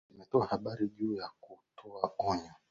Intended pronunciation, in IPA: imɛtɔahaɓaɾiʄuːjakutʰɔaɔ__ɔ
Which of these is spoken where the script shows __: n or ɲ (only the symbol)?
ɲ